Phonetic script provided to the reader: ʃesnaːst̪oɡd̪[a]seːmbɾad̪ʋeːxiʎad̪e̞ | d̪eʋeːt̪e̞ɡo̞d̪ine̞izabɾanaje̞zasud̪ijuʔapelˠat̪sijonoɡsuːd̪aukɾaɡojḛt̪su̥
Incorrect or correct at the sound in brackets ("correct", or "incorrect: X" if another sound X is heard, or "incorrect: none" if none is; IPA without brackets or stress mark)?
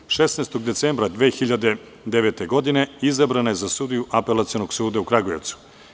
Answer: incorrect: e